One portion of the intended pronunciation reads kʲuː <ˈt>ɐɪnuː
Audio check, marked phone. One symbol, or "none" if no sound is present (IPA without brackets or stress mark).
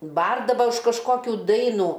d